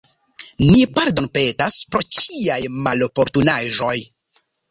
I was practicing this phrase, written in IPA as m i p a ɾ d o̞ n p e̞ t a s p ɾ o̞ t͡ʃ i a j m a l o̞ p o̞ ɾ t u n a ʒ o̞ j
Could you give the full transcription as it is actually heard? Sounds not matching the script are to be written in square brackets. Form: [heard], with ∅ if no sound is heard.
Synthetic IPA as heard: [n] i p a ɾ d o̞ n p e̞ t a s p ɾ o̞ t͡ʃ i a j m a l o̞ p o̞ ɾ t u n a ʒ o̞ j